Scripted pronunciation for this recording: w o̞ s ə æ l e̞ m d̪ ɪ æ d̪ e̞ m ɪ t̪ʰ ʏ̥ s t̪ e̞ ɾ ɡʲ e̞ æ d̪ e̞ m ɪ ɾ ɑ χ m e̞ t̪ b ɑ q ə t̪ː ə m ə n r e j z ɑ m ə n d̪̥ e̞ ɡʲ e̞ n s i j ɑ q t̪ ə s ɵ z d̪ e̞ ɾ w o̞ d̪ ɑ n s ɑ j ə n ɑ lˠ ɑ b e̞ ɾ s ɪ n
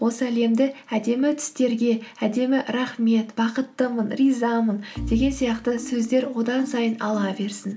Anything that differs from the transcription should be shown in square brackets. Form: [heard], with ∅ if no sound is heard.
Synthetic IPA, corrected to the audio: w o̞ s ə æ l e̞ m d̪ ɪ æ d̪ e̞ m ɪ t̪ʰ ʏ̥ s t̪ e̞ ɾ ɡʲ e̞ æ d̪ e̞ m ɪ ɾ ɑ χ m e̞ t̪ b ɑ q ə t̪ː ə m ə n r [i] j z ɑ m ə n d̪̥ e̞ ɡʲ e̞ n s i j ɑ q t̪ ə s ɵ z d̪ e̞ ɾ w o̞ d̪ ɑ n s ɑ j ə n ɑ lˠ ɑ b e̞ ɾ s ɪ n